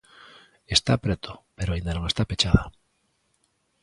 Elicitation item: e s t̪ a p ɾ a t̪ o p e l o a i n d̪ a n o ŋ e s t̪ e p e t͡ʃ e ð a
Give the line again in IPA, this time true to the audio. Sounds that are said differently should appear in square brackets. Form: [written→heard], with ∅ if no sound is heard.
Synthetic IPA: e s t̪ a p ɾ [a→e] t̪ o p e [l→ɾ] o a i n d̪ a n o ŋ e s t̪ [e→a] p e t͡ʃ [e→a] ð a